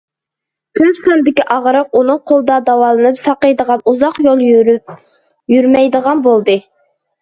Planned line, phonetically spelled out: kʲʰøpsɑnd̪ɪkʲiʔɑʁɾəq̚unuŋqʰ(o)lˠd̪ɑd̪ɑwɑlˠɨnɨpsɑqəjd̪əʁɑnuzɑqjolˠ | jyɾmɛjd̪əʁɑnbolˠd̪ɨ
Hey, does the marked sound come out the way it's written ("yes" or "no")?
yes